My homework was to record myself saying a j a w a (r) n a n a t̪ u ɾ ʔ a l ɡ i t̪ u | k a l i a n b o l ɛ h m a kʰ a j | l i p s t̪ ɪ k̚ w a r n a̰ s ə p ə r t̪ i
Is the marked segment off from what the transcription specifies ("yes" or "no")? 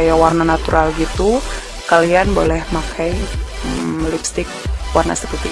no